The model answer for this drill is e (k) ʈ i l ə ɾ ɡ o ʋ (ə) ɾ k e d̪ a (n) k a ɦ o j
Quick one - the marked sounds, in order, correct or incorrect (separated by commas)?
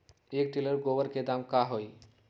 correct, correct, incorrect